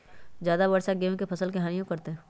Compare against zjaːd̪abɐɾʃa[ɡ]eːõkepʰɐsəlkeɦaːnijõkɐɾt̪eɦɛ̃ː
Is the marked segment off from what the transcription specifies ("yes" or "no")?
no